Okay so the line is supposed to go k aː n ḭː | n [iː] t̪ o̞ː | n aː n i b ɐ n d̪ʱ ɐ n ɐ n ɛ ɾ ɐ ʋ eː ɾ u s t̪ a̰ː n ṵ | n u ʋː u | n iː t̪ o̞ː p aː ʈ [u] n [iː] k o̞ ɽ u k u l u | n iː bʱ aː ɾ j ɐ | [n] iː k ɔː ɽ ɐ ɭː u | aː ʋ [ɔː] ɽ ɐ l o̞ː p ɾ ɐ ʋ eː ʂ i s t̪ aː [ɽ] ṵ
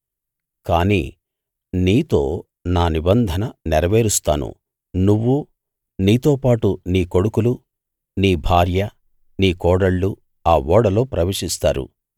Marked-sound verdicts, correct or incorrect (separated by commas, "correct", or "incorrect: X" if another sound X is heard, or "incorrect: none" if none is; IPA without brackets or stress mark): correct, correct, correct, correct, correct, incorrect: ɾ